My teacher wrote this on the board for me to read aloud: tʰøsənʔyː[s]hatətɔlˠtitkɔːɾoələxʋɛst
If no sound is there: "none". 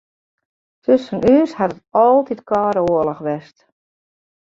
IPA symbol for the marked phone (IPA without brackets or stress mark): s